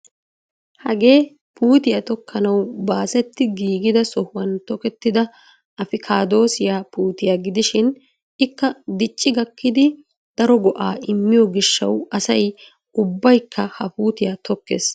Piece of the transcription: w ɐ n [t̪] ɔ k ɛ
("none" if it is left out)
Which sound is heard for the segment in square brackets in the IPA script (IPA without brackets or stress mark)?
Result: t̪